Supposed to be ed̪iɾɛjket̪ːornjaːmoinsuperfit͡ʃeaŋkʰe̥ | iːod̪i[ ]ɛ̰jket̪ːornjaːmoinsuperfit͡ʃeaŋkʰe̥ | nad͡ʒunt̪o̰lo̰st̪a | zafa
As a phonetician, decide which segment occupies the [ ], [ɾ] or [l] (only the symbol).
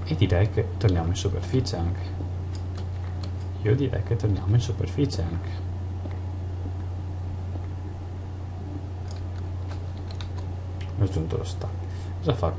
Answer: ɾ